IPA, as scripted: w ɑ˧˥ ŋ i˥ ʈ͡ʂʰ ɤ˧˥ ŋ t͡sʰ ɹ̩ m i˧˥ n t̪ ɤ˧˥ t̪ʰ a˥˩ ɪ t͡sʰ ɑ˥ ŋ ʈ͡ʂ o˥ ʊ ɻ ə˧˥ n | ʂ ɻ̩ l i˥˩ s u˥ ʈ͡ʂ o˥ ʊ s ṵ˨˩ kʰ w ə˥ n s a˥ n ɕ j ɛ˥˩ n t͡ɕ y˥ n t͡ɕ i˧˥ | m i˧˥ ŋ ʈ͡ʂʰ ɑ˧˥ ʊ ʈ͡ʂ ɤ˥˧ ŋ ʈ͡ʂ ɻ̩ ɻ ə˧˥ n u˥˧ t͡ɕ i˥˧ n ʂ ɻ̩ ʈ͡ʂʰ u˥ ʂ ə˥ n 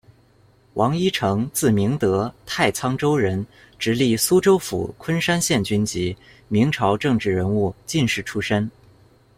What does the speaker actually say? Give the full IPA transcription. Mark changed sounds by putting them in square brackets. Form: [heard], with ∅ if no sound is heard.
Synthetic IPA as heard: w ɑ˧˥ ŋ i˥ ʈ͡ʂʰ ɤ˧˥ ŋ [t͡s] ɹ̩ m i˧˥ [ŋ] t̪ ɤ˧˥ t̪ʰ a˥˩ ɪ t͡sʰ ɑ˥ ŋ ʈ͡ʂ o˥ ʊ ɻ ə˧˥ n | [ʈ͡ʂ] ɻ̩ l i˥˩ s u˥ ʈ͡ʂ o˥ ʊ [f] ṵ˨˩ kʰ w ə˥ n [ʂ] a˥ n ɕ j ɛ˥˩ n t͡ɕ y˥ n t͡ɕ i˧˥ | m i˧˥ ŋ ʈ͡ʂʰ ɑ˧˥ ʊ ʈ͡ʂ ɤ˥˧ ŋ ʈ͡ʂ ɻ̩ ɻ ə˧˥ n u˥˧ t͡ɕ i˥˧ n ʂ ɻ̩ ʈ͡ʂʰ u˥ ʂ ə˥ n